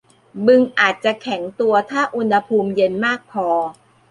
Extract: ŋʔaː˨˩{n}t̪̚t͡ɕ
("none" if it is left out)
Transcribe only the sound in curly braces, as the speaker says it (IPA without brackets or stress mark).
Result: none